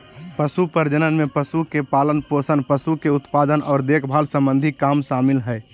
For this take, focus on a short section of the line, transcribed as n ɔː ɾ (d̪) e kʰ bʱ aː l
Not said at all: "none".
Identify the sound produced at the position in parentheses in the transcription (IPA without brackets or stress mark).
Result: d̪